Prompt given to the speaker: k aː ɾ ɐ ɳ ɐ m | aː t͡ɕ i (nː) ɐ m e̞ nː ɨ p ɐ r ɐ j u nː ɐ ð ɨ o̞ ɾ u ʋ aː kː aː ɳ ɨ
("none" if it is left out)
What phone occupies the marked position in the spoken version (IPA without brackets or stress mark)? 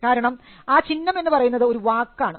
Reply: nː